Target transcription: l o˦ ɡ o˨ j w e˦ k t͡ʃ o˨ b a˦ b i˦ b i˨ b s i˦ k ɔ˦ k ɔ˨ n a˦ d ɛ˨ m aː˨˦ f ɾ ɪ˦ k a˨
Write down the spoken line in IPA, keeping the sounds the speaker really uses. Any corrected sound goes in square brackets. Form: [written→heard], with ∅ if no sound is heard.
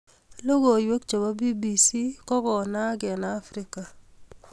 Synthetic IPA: l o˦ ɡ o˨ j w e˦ k t͡ʃ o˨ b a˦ b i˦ b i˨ [b→∅] s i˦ k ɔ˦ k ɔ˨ n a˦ [d→ɡ] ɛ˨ [m→n] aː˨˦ f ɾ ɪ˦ k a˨